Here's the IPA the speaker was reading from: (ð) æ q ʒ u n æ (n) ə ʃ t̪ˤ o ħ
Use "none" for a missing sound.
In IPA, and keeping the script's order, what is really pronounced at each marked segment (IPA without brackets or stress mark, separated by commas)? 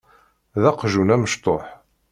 ð, m